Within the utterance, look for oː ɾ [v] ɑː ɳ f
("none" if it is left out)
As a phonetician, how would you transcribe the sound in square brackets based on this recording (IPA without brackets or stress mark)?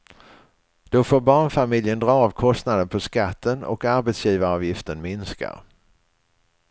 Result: b